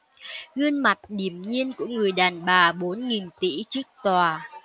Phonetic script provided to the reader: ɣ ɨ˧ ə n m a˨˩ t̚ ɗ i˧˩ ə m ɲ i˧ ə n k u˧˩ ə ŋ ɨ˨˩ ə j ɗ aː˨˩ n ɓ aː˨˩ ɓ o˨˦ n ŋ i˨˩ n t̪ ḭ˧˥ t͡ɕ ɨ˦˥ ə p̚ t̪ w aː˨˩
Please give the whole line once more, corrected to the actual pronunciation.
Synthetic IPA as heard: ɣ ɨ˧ ə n m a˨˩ t̚ ɗ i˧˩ ə m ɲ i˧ ə n k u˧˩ ə ŋ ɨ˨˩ ə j ɗ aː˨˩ n ɓ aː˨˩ ɓ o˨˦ n ŋ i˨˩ n t̪ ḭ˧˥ t͡ɕ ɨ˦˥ ə k̚ t̪ w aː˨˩

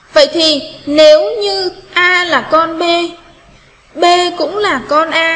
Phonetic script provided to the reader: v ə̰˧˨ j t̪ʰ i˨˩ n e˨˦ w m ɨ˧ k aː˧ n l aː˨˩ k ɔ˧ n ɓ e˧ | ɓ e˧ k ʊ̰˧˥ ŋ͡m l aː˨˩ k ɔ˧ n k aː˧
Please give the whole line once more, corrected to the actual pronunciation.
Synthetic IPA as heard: v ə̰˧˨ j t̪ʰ i˨˩ n e˨˦ w ɲ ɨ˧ ʔ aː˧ l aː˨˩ k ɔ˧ n ɓ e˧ | ɓ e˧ k ʊ̰˧˥ ŋ͡m l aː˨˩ k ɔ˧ n ʔ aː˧

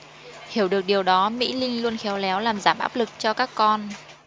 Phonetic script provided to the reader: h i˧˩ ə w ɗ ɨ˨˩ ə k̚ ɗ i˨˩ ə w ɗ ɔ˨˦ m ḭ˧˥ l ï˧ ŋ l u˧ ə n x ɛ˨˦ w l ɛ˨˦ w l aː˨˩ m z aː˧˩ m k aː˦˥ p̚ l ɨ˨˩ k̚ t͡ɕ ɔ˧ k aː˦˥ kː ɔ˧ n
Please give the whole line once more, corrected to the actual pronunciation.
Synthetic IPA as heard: h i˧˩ ə w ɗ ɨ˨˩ ə k̚ ɗ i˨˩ ə w ɗ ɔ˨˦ m ḭ˧˥ l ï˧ ŋ l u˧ ə n x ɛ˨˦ w l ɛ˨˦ w l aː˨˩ m z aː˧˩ m ʔ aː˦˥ p̚ l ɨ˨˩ k̚ t͡ɕ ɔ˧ k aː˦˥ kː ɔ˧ n

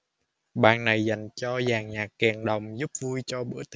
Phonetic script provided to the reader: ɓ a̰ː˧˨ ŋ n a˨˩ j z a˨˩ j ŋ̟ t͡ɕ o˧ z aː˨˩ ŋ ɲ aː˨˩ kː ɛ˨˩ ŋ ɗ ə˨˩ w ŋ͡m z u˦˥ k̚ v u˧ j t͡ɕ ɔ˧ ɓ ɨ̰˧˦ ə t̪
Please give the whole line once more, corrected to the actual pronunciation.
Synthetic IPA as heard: ɓ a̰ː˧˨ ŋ n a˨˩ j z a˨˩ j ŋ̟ t͡ɕ ɔ˧ z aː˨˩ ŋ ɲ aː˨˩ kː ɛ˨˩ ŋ ɗ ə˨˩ w ŋ͡m z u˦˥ p̚ v u˧ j t͡ɕ ɔ˧ ɓ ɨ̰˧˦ ə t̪

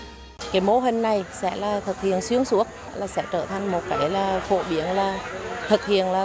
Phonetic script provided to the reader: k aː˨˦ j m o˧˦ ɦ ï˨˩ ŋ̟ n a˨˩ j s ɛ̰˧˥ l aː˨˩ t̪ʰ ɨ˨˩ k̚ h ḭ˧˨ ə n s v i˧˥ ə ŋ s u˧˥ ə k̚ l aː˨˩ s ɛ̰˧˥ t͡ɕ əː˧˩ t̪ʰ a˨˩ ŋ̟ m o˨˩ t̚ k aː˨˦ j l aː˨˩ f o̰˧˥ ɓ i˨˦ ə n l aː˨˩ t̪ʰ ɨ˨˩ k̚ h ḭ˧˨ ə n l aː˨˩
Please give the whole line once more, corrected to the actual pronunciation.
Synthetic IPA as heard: k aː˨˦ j m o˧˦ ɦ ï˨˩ ŋ̟ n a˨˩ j s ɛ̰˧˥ l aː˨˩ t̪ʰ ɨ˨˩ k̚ h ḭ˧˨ ə n s w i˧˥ ə ŋ s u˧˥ ə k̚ l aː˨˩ s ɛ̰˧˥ t͡ɕ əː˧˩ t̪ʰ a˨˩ ŋ̟ m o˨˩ t̚ k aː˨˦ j l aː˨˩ f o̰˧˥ ɓ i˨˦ ə n l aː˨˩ t̪ʰ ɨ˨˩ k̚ h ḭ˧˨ ə n l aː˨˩

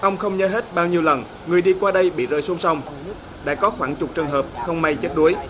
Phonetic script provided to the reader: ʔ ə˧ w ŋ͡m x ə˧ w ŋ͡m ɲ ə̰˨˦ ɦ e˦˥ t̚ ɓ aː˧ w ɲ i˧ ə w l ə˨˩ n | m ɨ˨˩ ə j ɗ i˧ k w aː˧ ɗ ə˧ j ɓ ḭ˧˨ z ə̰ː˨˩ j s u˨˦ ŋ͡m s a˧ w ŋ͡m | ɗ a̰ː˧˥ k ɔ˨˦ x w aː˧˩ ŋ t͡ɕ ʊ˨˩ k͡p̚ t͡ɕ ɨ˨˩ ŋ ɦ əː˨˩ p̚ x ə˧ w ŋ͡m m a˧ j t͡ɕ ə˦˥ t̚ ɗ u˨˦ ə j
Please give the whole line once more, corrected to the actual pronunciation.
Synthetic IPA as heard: ʔ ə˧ w ŋ͡m x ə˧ w ŋ͡m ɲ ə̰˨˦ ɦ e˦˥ t̚ ɓ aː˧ w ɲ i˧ ə w l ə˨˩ n | ŋ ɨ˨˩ ə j ɗ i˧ k w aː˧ ɗ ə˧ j ɓ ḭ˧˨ z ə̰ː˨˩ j s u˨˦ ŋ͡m s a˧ w ŋ͡m | ɗ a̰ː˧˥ k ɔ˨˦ x w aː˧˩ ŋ t͡ɕ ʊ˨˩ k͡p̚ t͡ɕ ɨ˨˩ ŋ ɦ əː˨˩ p̚ x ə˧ w ŋ͡m m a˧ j t͡ɕ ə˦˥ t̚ ɗ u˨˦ ə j

